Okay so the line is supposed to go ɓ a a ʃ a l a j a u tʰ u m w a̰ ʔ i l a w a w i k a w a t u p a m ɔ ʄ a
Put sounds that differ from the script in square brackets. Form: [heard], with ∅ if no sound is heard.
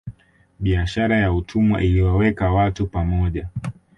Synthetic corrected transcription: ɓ [i] a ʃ a [ɾ] a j a u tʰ u m w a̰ ʔ i l [i] w a w [ɛ] k a w a t u p a m ɔ ʄ a